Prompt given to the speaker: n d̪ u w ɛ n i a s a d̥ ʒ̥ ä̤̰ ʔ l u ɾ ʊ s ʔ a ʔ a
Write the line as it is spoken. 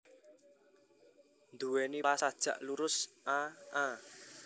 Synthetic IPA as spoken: n d̪ u w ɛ n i a s a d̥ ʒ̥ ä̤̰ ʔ l u ɾ ʊ s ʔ a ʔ a